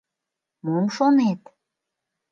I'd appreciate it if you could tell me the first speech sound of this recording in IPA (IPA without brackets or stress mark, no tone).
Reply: m